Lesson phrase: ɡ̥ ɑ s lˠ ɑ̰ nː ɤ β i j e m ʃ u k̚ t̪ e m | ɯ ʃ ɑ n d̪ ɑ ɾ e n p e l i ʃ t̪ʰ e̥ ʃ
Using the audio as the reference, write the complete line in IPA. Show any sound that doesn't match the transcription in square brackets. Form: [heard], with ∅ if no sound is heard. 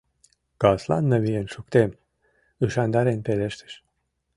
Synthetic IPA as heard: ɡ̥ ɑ s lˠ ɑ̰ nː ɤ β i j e [n] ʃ u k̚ t̪ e m | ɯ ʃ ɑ n d̪ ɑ ɾ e n p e l [e] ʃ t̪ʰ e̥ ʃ